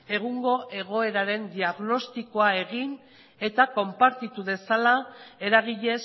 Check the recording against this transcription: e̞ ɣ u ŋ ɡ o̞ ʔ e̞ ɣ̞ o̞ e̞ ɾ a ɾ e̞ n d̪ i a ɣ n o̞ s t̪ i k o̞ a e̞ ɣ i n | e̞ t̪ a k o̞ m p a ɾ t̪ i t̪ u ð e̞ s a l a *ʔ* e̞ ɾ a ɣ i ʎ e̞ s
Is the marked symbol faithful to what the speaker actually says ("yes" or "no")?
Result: no